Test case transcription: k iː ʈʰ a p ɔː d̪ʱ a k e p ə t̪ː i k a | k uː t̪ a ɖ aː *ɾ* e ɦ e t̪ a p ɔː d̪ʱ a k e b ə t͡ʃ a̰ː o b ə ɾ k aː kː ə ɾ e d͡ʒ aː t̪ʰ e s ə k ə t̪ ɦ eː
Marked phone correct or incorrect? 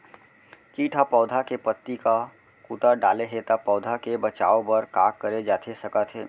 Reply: incorrect